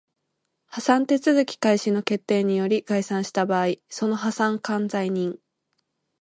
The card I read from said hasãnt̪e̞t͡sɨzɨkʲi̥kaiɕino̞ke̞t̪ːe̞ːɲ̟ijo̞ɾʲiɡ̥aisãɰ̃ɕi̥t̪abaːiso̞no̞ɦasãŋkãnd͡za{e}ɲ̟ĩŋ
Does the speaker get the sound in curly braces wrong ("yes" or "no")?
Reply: yes